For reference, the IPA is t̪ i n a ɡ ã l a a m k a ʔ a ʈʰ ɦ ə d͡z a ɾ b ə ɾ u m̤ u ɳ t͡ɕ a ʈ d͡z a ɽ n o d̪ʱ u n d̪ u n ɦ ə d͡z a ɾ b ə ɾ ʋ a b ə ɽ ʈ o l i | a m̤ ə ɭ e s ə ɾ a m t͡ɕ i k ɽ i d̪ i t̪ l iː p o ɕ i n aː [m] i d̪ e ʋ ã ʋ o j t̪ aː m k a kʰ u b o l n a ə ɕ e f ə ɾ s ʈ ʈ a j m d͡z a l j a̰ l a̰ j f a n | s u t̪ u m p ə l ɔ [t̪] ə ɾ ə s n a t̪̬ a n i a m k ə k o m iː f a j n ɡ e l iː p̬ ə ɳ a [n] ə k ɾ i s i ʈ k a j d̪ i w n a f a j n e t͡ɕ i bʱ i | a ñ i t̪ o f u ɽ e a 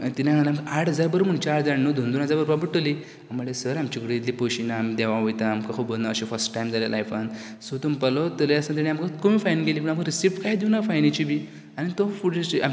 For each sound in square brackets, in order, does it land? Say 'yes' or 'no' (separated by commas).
yes, yes, no